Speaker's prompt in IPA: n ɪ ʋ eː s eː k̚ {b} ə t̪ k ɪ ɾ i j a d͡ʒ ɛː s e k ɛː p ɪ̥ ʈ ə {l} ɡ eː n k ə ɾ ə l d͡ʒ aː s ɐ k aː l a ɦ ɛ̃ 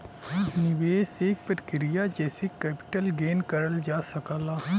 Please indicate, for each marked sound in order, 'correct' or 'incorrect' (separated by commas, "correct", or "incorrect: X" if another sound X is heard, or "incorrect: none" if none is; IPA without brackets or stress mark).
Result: incorrect: p, correct